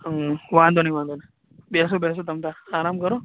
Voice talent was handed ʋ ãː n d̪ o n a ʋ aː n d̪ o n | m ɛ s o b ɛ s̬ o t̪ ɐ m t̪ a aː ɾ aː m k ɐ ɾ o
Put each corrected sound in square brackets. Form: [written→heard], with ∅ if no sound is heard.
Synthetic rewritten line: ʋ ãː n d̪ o n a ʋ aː n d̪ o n | [m→b] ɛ s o b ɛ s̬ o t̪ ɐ m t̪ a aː ɾ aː m k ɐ ɾ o

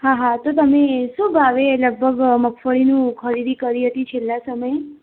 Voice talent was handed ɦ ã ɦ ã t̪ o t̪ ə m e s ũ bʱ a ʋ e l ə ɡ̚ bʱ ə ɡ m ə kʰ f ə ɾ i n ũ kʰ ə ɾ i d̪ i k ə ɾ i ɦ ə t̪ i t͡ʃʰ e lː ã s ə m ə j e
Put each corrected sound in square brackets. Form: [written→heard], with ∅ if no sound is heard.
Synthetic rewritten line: ɦ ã ɦ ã t̪ o t̪ ə m e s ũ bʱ a ʋ e l ə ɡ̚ bʱ ə ɡ m ə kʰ f ə [ɾ→ɭ] i n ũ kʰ ə ɾ i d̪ i k ə ɾ i ɦ ə t̪ i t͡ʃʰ e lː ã s ə m ə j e

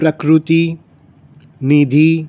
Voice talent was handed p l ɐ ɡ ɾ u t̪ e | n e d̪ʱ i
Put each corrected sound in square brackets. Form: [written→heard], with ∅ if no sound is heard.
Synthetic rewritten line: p [l→ɾ] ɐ [ɡ→k] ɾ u t̪ [e→i] | n [e→i] d̪ʱ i

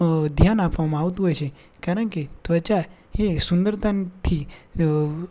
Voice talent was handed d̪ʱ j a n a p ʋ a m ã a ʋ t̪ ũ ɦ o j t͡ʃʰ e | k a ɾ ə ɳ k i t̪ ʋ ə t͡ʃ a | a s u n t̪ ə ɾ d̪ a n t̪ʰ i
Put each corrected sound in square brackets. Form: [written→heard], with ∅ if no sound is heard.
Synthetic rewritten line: d̪ʱ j a n a p ʋ a m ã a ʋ t̪ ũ ɦ o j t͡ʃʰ e | k a ɾ ə ɳ k [i→e] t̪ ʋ ə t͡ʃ a | [a→e] s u n [t̪→d̪] ə ɾ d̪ a n t̪ʰ i

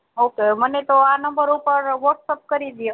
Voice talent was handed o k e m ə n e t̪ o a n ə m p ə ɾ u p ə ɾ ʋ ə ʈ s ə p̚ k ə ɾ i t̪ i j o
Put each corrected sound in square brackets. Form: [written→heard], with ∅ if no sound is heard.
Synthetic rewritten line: o k e m ə n e t̪ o a n ə m [p→b] ə ɾ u p ə ɾ ʋ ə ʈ s ə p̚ k ə ɾ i [t̪→d̪] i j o

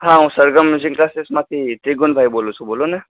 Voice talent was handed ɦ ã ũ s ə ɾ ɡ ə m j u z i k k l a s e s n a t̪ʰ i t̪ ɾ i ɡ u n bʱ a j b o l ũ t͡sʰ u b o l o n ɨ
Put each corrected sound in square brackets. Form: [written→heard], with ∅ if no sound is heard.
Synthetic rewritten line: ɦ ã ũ s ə ɾ ɡ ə m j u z i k k l a s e s [n→m] a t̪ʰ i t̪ ɾ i ɡ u n bʱ a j b o l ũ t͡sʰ u b o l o n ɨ

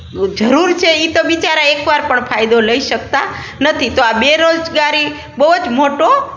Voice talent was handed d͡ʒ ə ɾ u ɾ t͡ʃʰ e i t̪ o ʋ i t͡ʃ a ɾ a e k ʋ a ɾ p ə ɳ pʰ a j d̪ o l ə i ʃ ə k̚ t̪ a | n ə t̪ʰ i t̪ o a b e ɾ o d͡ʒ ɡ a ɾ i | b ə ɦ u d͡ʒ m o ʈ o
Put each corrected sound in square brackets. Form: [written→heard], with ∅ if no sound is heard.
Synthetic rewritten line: d͡ʒ ə ɾ u ɾ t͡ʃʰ e i t̪ o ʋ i t͡ʃ a ɾ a e k ʋ a ɾ p ə ɳ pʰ a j d̪ o l ə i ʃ ə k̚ t̪ a | n ə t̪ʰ i t̪ o a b e ɾ o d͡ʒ ɡ a ɾ i | b ə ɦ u d͡ʒ m o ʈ o

